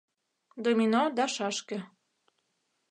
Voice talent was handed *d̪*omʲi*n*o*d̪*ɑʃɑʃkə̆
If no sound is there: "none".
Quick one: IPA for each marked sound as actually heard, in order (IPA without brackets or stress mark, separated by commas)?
d̪, n, d̪